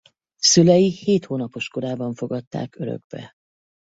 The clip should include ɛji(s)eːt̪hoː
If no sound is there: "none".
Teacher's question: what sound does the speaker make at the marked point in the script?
h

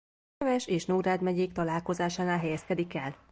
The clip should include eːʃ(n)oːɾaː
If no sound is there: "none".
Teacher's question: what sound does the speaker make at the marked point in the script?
n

